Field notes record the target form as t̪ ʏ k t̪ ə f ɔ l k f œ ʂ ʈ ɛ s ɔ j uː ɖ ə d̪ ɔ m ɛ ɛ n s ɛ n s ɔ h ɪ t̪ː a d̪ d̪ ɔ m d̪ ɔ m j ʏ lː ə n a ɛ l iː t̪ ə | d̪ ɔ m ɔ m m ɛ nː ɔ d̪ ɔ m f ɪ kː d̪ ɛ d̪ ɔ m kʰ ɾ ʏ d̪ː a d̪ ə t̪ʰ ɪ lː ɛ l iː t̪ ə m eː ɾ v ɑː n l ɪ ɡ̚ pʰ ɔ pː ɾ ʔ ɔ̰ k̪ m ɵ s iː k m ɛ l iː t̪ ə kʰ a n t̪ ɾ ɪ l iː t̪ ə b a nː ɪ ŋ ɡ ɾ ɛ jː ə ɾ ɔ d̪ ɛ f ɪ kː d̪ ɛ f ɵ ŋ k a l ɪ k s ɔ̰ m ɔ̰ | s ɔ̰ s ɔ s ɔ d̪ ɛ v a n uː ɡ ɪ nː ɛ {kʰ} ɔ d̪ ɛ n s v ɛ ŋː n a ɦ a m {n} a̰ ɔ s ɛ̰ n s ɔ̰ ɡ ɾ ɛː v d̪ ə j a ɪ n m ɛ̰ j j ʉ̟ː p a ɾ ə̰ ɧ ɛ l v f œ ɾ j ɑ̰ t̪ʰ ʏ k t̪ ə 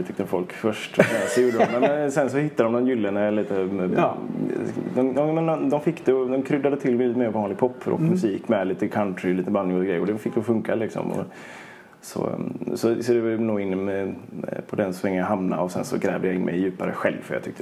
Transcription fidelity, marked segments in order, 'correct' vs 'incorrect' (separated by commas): incorrect, correct